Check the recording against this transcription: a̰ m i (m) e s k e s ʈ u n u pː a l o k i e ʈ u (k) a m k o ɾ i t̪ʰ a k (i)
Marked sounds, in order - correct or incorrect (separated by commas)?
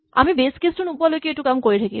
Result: incorrect, correct, correct